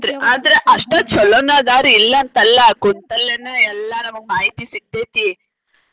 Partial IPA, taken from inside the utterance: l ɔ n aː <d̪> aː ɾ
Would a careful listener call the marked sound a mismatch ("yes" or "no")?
no